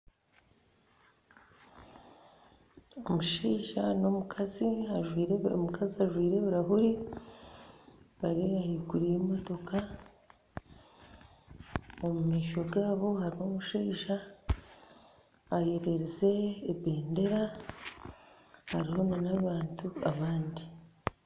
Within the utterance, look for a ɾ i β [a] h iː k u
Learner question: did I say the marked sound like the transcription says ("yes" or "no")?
yes